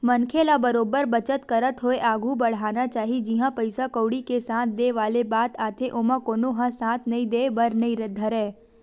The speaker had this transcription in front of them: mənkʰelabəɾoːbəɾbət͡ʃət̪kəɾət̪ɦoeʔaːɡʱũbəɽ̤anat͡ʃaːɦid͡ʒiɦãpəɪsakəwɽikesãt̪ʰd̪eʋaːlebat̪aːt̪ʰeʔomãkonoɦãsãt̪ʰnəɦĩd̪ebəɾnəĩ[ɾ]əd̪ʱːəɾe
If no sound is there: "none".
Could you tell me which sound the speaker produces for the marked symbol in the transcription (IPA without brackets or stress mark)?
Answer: ɾ